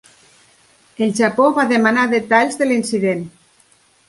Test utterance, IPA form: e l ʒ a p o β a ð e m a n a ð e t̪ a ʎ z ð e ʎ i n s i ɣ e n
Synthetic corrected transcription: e l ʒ a p o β a ð e m a n a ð e t̪ a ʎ z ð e l i n s i ð e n